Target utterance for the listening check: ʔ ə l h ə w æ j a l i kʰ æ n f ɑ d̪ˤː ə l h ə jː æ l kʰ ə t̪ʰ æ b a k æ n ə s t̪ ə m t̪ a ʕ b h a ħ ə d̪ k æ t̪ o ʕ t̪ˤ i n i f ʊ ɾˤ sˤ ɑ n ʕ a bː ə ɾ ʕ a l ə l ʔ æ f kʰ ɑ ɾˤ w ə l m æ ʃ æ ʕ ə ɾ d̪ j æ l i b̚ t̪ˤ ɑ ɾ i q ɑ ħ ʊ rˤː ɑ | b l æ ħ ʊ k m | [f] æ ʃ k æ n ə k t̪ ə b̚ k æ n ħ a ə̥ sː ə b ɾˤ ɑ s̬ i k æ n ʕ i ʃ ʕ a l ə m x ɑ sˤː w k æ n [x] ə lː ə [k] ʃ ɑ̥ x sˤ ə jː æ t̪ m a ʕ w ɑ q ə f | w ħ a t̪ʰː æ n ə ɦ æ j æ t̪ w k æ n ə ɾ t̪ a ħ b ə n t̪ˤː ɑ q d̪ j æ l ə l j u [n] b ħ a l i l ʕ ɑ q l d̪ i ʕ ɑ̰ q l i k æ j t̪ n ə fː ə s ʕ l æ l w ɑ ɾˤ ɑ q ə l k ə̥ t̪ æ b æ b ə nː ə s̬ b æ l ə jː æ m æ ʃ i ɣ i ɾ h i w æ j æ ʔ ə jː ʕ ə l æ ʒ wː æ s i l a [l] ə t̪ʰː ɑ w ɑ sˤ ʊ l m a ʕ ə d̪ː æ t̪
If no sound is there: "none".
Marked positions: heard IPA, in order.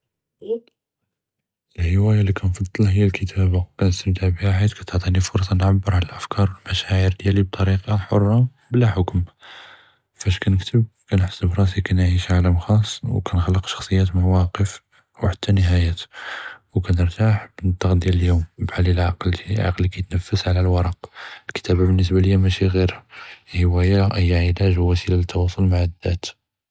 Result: f, x, q, m, l

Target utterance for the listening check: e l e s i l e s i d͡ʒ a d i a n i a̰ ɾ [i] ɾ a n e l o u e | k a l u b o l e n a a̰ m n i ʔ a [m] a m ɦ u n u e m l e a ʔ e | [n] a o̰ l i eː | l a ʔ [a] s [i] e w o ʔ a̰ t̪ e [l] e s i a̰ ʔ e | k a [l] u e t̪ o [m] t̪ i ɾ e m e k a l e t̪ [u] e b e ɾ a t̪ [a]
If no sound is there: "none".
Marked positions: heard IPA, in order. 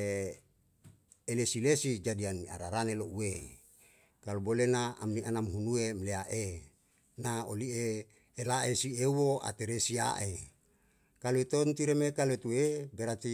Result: a, n, n, e, i, ɾ, l, n, u, i

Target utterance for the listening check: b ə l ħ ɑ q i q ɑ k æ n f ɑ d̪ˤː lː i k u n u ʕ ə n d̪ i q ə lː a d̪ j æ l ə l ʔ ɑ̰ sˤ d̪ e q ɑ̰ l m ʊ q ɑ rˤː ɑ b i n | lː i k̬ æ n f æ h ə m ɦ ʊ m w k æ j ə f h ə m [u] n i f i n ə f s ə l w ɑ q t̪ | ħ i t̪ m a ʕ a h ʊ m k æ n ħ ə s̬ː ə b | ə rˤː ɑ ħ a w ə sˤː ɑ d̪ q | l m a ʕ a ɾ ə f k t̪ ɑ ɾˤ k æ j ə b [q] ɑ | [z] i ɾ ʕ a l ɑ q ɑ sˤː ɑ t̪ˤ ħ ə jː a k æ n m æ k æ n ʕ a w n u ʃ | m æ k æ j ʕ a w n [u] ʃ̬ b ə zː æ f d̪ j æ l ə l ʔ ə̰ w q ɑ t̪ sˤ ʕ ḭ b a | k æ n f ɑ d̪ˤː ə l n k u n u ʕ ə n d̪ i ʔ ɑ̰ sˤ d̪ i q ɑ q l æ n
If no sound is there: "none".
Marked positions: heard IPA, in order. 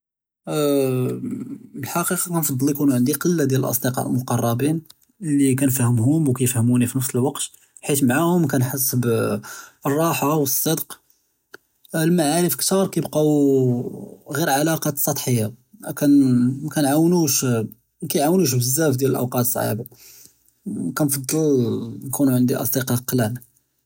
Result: u, q, ɣ, u

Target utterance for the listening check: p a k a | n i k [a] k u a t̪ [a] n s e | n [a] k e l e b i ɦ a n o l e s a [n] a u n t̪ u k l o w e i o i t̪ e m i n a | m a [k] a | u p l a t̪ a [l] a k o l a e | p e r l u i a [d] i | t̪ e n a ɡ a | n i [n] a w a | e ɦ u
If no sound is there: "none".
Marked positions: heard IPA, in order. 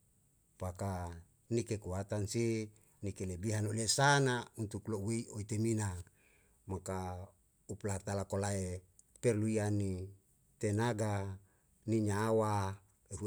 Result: e, a, i, n, k, l, n, ɲ

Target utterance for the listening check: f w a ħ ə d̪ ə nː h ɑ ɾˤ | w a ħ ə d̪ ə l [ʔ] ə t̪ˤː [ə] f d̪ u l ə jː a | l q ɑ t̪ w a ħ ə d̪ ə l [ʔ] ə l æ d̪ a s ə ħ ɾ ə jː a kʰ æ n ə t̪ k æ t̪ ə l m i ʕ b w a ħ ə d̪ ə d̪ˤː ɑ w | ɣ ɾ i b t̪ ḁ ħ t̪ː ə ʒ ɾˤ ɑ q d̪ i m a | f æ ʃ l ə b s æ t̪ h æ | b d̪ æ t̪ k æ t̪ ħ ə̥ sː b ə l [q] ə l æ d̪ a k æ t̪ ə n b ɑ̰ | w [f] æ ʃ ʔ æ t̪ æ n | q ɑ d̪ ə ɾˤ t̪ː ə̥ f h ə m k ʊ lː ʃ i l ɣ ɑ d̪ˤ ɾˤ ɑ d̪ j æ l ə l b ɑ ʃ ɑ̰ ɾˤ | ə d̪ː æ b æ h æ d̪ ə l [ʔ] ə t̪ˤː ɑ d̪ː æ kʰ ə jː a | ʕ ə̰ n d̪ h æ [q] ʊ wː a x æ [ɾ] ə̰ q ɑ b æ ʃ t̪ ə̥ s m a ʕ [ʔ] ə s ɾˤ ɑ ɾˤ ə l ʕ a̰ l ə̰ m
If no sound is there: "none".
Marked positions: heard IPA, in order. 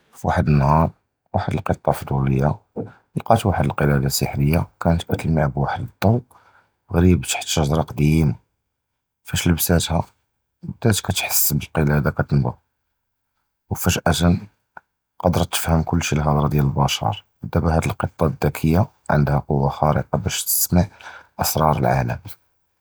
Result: q, ɑ, q, q, f, q, q, ɾ, ʔ

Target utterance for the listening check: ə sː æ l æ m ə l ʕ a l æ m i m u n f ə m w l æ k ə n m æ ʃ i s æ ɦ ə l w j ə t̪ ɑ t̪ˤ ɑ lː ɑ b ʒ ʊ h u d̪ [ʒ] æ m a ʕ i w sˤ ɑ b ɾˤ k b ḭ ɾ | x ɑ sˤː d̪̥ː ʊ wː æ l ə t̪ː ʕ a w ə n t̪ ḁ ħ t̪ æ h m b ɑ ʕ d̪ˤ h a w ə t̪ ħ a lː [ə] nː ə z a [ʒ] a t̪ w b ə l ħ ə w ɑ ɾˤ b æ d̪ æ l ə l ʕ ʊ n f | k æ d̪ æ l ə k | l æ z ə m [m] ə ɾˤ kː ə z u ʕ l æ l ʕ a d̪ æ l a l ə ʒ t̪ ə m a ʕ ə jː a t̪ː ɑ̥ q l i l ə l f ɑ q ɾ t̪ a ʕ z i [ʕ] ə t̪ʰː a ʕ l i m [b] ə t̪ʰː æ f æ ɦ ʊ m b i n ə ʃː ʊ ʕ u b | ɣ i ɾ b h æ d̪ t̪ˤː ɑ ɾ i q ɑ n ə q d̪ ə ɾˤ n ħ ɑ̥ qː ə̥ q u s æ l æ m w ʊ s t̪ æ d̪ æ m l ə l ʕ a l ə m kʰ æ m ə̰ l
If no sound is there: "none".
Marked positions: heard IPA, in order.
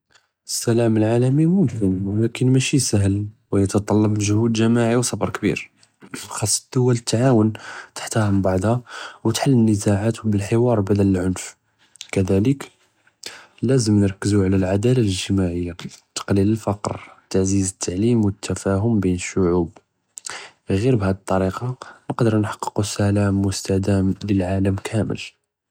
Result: ʒ, ə, ʕ, n, z, w

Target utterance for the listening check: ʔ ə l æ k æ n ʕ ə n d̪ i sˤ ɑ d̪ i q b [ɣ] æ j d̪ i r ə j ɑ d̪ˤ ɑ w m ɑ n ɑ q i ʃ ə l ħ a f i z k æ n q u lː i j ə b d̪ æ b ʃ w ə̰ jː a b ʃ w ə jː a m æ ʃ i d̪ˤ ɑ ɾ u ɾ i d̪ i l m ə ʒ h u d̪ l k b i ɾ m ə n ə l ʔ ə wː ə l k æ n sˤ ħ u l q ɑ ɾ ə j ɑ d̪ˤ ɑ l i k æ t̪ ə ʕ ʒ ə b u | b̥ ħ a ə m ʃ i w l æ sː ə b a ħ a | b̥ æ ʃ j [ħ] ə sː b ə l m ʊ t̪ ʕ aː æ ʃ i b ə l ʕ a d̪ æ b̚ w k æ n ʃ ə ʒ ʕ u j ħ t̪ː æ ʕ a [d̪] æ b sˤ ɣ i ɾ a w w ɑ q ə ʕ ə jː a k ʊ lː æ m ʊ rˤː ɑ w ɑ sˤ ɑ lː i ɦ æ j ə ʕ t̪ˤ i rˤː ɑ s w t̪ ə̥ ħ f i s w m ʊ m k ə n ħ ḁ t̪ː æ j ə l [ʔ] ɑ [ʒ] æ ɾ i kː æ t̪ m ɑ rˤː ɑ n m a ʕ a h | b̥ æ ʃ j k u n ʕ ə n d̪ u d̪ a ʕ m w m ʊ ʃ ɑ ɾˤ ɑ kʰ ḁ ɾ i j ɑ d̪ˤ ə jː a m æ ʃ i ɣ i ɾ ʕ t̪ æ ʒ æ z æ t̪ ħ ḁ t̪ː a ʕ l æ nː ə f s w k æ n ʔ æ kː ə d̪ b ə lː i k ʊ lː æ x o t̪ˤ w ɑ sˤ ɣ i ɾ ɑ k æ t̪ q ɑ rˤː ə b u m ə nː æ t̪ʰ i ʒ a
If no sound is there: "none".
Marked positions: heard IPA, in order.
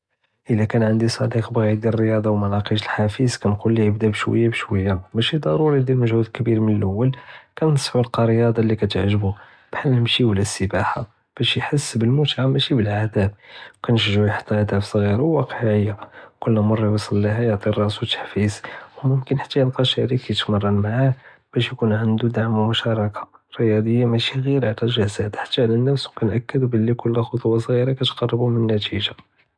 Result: ɣ, ħ, d̪, q, ʃ

